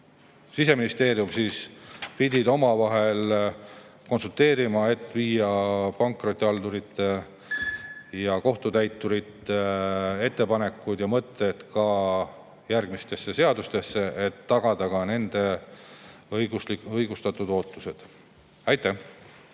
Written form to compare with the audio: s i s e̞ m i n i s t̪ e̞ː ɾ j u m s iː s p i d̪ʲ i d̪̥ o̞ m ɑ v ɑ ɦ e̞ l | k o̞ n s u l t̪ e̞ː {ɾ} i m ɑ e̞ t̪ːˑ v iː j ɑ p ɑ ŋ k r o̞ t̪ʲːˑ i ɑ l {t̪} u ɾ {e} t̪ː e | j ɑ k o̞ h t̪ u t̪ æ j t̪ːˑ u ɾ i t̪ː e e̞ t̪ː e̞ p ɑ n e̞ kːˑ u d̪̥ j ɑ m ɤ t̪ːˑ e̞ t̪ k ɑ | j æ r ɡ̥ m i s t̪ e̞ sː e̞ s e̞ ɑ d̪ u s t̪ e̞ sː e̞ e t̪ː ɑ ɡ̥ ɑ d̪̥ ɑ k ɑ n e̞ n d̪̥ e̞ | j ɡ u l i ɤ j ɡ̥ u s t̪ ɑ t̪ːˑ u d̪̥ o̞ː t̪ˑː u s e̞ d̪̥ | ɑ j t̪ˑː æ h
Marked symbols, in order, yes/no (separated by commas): yes, no, no